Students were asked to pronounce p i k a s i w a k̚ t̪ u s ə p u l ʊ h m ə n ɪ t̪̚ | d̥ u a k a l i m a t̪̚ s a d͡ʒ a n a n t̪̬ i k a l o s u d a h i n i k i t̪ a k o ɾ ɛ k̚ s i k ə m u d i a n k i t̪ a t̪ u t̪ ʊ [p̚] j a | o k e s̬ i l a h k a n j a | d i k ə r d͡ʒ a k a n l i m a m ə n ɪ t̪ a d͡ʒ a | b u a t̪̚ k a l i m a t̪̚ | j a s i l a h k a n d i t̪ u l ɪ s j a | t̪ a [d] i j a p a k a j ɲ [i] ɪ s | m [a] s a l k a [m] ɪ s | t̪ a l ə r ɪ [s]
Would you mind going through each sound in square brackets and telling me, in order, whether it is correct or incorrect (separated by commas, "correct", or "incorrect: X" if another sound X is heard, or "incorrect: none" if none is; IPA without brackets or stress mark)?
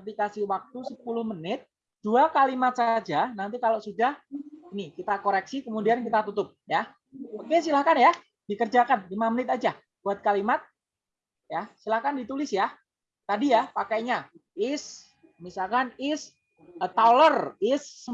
correct, correct, incorrect: a, incorrect: i, incorrect: n, correct